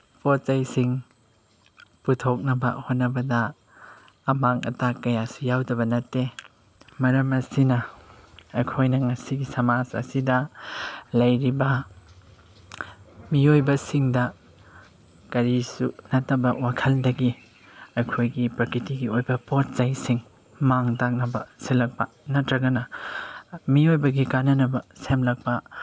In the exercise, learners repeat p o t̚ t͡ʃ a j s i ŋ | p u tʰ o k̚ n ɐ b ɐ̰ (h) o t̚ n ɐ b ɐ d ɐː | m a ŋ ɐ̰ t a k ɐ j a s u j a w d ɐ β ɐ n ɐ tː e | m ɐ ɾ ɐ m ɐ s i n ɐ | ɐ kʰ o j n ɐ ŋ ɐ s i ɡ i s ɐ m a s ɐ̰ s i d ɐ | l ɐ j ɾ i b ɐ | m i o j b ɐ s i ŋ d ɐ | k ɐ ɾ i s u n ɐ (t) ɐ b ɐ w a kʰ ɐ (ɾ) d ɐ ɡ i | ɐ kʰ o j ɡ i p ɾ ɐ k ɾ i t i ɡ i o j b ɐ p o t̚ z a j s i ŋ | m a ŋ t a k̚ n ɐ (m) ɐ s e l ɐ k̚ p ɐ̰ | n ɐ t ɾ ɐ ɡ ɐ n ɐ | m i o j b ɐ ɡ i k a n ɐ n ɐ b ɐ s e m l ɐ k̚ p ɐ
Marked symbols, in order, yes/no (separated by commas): yes, yes, no, no